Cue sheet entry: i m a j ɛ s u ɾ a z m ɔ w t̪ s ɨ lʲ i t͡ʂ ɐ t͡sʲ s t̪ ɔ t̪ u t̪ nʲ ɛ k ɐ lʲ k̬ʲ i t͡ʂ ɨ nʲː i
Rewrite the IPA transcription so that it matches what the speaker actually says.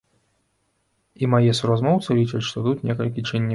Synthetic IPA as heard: i m a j ɛ s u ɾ a z m ɔ w t̪ s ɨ lʲ i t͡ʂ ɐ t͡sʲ ʂ t̪ ɔ t̪ u t̪ nʲ ɛ k ɐ lʲ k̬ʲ i t͡ʂ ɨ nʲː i